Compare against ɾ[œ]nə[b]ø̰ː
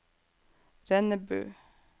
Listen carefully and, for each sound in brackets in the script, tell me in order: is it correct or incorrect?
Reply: incorrect, correct

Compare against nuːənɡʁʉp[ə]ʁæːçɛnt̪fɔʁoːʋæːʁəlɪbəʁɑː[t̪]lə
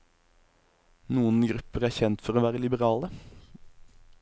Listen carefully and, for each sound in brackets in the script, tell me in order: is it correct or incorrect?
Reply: correct, incorrect

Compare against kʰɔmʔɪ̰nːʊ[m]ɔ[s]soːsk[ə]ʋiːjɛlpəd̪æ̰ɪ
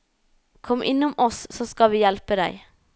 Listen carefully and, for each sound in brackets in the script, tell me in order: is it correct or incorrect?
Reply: correct, correct, incorrect

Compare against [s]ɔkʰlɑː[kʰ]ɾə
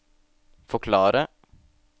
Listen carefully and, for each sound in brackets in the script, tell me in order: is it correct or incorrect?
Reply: incorrect, incorrect

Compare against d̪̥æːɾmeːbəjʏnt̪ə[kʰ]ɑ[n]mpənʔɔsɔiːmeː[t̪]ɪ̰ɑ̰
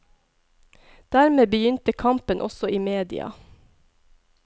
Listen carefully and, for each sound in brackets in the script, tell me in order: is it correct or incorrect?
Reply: correct, incorrect, incorrect

